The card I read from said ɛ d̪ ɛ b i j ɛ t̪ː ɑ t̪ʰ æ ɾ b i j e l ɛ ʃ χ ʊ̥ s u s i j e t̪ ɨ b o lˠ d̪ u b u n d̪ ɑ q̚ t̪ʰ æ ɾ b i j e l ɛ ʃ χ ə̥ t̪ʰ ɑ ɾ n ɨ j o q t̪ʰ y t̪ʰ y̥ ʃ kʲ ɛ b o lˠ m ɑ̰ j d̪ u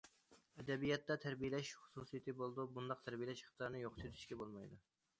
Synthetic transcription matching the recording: ɛ d̪ ɛ b i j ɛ t̪ː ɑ t̪ʰ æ ɾ b i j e l ɛ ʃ χ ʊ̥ s u s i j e t̪ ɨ b o lˠ d̪ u b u n d̪ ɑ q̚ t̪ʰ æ ɾ b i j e l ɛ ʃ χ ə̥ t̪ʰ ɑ ɾ n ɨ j o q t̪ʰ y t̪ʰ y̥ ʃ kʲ ɛ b o lˠ m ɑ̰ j d̪ u